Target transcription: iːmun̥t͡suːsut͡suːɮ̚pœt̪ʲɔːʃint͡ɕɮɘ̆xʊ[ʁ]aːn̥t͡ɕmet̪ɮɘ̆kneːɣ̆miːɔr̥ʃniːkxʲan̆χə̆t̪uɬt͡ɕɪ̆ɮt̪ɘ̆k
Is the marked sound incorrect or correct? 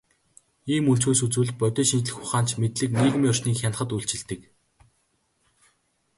incorrect